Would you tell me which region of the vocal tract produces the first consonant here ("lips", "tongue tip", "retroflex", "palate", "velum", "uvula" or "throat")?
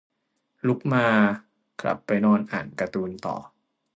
tongue tip